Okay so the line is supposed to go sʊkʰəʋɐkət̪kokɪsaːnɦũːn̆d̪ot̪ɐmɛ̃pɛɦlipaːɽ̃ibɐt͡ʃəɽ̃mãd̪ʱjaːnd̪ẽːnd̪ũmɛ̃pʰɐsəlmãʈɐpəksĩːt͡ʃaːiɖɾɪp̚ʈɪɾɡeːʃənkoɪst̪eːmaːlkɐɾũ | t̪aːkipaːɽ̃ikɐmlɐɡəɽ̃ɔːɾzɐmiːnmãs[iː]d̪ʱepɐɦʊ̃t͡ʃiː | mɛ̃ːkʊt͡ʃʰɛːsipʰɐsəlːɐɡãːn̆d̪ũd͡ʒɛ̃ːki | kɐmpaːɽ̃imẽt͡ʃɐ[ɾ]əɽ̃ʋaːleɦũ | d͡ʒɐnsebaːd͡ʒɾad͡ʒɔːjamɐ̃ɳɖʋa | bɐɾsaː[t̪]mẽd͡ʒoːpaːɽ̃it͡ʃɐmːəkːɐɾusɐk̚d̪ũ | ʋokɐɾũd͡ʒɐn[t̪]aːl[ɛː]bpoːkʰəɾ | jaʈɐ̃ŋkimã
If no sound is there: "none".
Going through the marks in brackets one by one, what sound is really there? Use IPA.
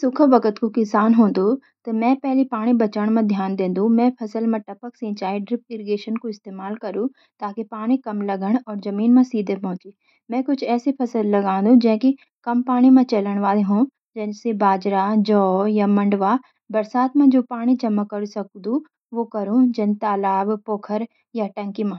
iː, l, t̪, t̪, aː

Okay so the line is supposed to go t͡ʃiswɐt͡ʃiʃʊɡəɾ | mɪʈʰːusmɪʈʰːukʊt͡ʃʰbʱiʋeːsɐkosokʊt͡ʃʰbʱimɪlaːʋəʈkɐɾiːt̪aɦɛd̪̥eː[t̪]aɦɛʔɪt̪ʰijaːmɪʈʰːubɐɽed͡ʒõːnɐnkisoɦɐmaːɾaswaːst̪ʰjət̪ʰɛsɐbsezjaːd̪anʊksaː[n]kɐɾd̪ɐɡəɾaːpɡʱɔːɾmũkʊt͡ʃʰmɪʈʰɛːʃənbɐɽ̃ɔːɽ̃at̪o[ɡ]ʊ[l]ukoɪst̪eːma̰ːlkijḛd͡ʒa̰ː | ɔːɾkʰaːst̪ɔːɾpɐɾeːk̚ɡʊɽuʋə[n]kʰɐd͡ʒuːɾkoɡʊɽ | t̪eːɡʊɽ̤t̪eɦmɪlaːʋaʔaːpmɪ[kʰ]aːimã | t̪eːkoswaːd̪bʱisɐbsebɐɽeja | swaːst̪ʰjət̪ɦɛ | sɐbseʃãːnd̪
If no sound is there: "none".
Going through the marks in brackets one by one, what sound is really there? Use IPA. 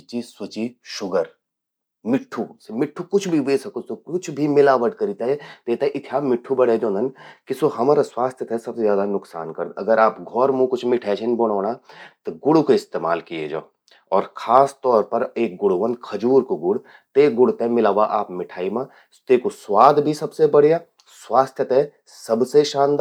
t̪, n, ɡ, ɽ, n, ʈʰ

